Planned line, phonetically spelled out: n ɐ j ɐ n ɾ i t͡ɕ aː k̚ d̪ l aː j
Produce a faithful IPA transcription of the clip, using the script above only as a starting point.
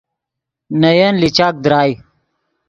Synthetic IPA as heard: n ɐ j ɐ n l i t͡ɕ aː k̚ d̪ ɾ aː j